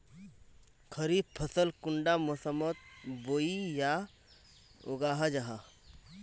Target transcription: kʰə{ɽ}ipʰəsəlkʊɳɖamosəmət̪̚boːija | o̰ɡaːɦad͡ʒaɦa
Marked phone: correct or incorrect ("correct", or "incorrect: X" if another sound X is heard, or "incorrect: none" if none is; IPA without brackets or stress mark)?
incorrect: ɾ